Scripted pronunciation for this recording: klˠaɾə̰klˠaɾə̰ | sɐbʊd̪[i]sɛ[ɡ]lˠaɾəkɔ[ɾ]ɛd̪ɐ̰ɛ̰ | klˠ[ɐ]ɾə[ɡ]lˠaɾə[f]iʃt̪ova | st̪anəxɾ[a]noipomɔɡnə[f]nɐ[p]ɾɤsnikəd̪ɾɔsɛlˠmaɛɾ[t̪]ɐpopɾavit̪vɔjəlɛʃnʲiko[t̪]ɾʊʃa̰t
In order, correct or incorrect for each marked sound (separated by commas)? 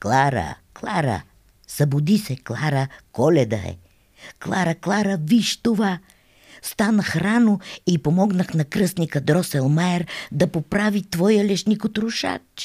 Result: correct, incorrect, incorrect, incorrect, incorrect, incorrect, correct, incorrect, incorrect, incorrect, correct